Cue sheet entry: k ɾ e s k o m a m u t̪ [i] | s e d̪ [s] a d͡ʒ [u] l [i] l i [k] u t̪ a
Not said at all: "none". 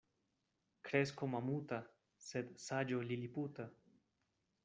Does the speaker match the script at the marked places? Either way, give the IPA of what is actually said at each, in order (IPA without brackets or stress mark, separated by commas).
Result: a, s, o, i, p